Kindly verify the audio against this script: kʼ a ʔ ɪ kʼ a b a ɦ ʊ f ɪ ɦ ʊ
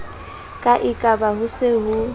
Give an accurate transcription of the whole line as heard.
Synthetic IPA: kʼ a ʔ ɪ kʼ a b a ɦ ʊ s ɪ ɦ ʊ